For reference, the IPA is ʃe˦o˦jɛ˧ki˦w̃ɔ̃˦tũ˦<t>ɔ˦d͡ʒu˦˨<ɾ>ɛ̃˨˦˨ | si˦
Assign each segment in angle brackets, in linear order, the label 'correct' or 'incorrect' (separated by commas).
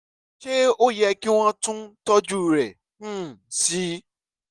correct, correct